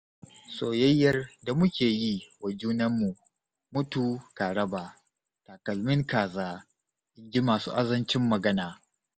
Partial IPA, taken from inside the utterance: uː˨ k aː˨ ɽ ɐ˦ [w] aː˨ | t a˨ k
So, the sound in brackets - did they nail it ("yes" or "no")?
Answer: no